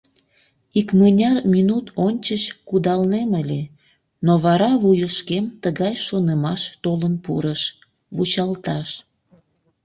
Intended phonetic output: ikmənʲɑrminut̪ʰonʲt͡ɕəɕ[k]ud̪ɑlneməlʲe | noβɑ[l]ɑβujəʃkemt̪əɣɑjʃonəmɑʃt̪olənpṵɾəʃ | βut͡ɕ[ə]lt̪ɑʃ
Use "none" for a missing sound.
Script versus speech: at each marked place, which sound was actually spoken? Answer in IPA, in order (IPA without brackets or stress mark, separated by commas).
k, ɾ, ɑ